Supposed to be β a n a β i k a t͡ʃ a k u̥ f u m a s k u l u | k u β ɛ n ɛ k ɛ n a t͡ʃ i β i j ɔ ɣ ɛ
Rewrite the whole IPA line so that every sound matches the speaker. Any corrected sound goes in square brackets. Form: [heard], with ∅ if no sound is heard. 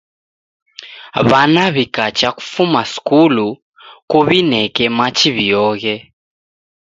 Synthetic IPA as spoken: β a n a β i k a t͡ʃ a k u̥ f u m a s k u l u | k u β [i] n ɛ k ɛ [m] a t͡ʃ i β i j ɔ ɣ ɛ

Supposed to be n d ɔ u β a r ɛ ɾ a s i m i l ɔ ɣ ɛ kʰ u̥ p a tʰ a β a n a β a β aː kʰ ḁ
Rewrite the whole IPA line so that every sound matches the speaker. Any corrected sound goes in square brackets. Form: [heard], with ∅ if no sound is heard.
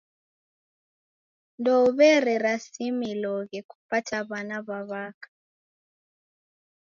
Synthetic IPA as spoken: n d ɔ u β [ɛ] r ɛ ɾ a s i m i l ɔ ɣ ɛ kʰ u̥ p a tʰ a β a n a β a β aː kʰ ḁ

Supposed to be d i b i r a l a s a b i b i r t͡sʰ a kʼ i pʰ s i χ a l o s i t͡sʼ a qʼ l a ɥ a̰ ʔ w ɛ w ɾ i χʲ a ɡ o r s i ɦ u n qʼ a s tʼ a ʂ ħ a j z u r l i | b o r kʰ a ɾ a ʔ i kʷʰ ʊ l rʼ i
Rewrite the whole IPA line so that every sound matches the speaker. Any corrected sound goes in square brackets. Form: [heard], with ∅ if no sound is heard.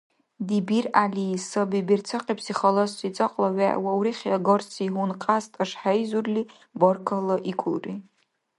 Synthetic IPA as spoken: d i b i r a l [i] s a b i b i r t͡sʰ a [qʼ] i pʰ s i χ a l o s i t͡sʼ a qʼ l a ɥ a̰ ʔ w [a] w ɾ i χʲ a ɡ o r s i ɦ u n qʼ a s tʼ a ʂ ħ a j z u r l i | b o r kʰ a [l] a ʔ i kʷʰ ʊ l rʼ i

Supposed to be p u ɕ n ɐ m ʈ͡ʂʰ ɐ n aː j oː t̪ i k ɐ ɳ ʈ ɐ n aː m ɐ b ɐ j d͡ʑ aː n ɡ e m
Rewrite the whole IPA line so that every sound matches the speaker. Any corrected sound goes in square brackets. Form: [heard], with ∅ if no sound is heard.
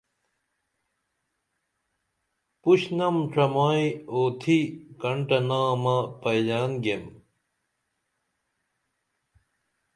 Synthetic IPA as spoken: p u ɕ n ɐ m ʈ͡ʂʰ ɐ [m] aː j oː [t̪ʰ] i k ɐ ɳ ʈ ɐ n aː m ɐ [p] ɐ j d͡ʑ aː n ɡ e m

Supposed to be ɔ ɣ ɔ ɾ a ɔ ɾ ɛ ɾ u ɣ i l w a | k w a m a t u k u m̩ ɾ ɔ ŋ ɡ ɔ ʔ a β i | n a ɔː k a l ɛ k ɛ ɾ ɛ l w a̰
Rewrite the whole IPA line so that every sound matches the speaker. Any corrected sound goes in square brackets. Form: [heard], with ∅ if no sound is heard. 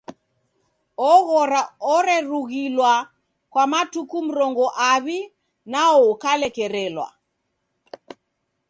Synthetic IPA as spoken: ɔ ɣ ɔ ɾ a ɔ ɾ ɛ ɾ u ɣ i l w a | k w a m a t u k u m̩ ɾ ɔ ŋ ɡ ɔ ʔ a β i | n a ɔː k a l ɛ k ɛ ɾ ɛ l w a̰

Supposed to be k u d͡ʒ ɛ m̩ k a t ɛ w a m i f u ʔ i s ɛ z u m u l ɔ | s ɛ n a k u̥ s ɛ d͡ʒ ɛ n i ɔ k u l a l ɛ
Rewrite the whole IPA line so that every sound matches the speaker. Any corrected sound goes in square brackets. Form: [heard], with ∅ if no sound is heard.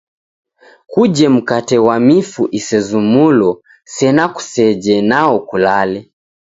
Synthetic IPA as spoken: k u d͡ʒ ɛ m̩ k a t ɛ w a m i f u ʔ i s ɛ z u m u l ɔ | s ɛ n a k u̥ s ɛ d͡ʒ ɛ n [a] ɔ k u l a l ɛ

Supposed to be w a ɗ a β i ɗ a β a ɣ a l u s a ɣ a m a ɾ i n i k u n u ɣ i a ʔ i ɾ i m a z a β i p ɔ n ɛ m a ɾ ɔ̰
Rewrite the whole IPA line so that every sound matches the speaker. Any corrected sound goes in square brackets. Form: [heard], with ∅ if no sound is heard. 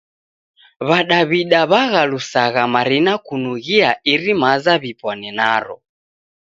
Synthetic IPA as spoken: [β] a ɗ a β i ɗ a β a ɣ a l u s a ɣ a m a ɾ i n [a] k u n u ɣ i a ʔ i ɾ i m a z a β i p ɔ n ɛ [n] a ɾ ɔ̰

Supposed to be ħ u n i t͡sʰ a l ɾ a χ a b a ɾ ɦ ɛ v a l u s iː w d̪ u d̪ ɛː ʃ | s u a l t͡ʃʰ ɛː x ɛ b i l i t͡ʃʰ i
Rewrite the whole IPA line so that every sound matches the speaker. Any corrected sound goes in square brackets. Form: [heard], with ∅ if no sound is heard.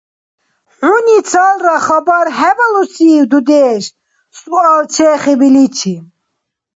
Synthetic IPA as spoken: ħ u n i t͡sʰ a l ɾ a χ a b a ɾ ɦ ɛ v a l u s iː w d̪ u d̪ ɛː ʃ | s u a l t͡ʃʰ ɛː [χ] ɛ b i l i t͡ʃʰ i

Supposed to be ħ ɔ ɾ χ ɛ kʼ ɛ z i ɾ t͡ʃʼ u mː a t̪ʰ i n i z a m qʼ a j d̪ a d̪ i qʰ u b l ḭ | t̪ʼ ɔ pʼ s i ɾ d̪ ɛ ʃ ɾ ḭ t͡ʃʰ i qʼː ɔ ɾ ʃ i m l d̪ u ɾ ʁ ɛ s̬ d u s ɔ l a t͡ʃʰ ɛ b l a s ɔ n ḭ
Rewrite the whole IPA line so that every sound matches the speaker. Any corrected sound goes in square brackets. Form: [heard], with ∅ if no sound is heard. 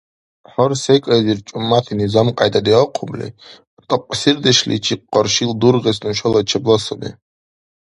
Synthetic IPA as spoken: ħ ɔ ɾ [s] ɛ kʼ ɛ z i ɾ t͡ʃʼ u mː a t̪ʰ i n i z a m qʼ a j d̪ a d̪ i qʰ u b l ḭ | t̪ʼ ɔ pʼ s i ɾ d̪ ɛ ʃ [l] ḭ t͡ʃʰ i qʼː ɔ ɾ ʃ i [∅] l d̪ u ɾ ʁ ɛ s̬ [n] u [ʃ] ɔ l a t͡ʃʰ ɛ b l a s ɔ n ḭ

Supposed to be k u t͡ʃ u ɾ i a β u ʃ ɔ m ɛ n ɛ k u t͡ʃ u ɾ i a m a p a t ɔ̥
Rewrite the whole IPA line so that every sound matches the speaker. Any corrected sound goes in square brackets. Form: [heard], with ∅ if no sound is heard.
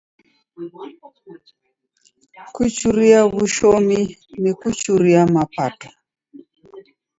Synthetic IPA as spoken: k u t͡ʃ u ɾ i a β u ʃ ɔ m [i] n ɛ k u t͡ʃ u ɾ i a m a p a t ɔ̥

